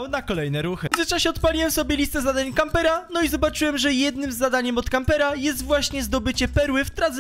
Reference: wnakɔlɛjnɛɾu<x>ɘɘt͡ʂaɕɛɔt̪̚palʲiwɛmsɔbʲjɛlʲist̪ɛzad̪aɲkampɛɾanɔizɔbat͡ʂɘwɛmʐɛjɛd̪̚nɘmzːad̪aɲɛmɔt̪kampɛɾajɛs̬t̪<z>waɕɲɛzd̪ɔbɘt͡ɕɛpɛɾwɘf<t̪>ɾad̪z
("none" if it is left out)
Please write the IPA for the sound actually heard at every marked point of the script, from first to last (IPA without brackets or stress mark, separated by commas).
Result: x, v, t̪